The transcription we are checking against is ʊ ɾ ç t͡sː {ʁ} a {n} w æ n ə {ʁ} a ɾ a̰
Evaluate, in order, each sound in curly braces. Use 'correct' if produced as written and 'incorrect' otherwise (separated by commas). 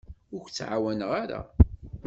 incorrect, incorrect, correct